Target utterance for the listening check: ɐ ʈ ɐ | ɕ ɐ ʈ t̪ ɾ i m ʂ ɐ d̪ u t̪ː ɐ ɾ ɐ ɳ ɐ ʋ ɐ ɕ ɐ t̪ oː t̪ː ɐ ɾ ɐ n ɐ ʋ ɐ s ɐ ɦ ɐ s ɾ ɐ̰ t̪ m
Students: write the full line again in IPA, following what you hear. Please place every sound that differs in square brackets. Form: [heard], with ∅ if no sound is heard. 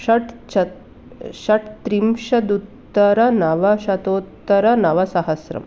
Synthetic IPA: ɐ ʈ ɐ | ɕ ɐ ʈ t̪ ɾ i m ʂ ɐ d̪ u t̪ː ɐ ɾ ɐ [n] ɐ ʋ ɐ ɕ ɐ t̪ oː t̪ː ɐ ɾ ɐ n ɐ ʋ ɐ s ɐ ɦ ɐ s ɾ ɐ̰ [∅] m